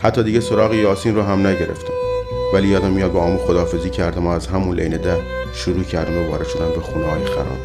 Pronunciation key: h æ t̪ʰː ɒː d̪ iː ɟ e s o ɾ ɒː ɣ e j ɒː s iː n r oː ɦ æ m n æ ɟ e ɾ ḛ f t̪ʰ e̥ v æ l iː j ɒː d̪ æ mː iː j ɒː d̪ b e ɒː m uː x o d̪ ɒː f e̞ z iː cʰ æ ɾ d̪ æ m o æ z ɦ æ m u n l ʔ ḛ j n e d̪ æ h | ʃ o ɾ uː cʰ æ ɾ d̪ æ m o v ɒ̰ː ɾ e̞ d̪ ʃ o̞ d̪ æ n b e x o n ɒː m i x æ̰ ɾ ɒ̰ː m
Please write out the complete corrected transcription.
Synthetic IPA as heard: h æ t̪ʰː ɒː d̪ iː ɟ e s o ɾ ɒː ɣ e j ɒː s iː n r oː ɦ æ m n æ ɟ e ɾ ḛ f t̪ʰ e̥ v æ l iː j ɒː d̪ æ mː i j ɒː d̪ b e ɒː m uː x o d̪ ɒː f e̞ z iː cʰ æ ɾ d̪ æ m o æ z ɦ æ m u n l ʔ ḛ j n e d̪ æ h | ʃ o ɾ uː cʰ æ ɾ d̪ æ m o v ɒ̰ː ɾ e̞ d̪ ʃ o̞ d̪ æ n b e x u n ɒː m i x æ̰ ɾ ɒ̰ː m